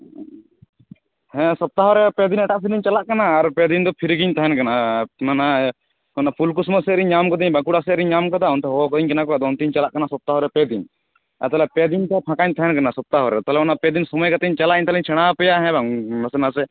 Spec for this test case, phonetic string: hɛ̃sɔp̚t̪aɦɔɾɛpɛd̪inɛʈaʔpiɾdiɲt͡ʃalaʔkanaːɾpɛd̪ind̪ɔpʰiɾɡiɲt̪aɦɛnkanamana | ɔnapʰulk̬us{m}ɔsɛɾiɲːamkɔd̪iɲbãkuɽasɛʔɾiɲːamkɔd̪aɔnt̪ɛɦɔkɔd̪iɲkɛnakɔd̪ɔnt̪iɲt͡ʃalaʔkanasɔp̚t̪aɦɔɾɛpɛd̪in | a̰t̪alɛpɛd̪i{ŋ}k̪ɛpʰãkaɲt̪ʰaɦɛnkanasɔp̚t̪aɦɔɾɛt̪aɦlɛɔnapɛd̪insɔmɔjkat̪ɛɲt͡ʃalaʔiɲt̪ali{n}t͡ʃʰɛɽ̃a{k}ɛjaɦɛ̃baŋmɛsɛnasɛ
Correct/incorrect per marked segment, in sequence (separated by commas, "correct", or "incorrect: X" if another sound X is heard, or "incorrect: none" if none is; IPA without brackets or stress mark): correct, incorrect: n, incorrect: ɲ, incorrect: p